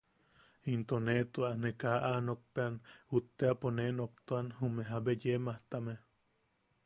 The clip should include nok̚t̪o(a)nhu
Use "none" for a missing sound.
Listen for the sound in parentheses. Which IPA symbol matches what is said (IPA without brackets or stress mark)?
a